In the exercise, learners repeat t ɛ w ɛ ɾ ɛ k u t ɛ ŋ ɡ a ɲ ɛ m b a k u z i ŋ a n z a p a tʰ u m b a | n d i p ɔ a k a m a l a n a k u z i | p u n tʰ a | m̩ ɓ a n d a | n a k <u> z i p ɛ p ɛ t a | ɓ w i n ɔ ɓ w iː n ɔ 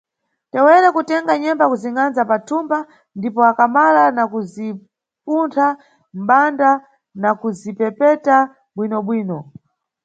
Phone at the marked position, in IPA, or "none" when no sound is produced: u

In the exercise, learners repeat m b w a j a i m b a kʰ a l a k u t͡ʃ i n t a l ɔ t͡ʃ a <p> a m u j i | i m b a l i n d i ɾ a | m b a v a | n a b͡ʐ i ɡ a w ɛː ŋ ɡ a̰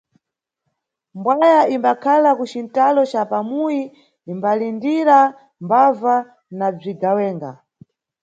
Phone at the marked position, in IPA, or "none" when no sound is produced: p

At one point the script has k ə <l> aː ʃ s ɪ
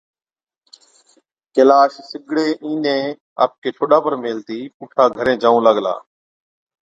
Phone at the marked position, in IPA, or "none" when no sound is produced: l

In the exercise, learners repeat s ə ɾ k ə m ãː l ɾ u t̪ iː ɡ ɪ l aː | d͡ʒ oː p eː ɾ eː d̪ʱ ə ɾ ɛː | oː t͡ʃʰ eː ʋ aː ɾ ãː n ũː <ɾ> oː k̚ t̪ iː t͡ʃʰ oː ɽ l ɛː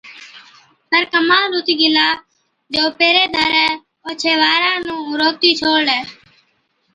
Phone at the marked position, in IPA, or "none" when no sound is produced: ɾ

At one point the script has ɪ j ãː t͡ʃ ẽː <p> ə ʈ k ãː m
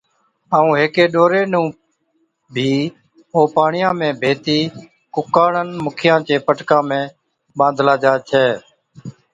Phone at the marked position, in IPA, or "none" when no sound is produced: p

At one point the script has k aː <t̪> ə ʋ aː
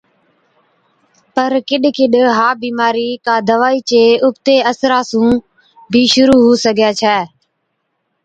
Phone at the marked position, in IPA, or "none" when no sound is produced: d̪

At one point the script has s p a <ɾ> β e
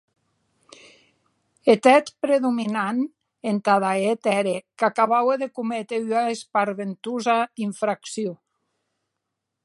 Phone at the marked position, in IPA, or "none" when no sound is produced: ɾ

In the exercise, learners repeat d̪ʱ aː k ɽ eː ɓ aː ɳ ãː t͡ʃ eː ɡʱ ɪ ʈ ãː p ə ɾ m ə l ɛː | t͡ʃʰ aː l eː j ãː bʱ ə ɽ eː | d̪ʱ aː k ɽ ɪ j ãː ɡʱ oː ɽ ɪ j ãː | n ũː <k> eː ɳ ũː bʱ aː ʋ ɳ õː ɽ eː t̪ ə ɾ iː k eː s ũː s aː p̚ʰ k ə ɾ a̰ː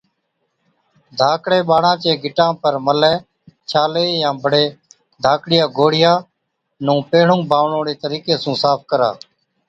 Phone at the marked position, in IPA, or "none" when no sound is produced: p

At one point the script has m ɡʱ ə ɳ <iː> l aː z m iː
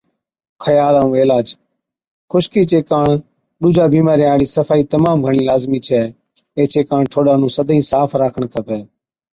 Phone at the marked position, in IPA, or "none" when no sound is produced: iː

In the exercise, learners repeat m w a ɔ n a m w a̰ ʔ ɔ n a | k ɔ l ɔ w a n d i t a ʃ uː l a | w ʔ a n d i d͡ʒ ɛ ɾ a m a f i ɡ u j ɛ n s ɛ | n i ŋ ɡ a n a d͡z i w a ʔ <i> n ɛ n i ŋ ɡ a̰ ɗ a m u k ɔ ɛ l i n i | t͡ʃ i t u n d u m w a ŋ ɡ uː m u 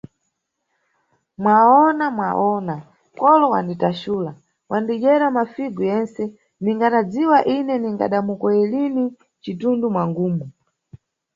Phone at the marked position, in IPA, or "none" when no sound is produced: i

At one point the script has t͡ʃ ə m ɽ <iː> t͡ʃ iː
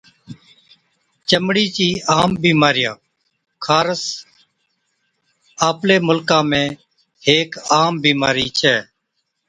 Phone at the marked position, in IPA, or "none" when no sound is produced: iː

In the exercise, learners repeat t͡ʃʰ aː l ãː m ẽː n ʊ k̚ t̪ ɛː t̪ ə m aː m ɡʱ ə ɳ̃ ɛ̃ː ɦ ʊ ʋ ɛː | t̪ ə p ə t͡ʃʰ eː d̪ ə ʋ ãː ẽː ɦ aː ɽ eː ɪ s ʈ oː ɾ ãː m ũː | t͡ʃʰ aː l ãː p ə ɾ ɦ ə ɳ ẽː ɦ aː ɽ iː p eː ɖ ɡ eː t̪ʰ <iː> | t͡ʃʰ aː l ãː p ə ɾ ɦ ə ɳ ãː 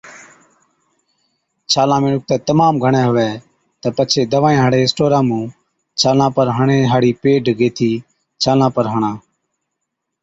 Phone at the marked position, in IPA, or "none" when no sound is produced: iː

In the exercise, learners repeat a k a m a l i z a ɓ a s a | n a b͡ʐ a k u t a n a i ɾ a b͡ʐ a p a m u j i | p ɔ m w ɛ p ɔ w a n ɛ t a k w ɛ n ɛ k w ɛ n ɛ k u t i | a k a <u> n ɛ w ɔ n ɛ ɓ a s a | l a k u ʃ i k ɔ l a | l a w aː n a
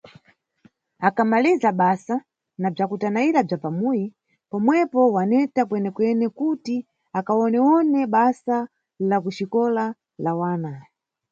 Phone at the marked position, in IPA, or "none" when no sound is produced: ɔ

